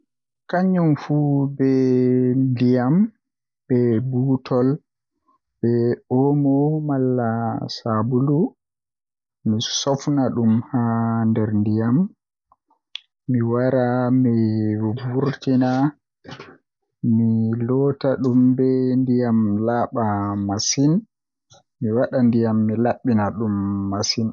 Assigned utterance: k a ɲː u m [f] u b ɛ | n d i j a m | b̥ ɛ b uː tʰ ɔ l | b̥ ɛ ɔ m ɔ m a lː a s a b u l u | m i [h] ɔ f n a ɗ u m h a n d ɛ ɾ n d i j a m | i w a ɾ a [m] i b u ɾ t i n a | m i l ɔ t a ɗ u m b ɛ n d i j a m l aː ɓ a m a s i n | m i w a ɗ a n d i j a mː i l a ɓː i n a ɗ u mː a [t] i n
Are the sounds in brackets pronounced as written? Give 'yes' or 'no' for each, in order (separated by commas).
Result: yes, no, yes, no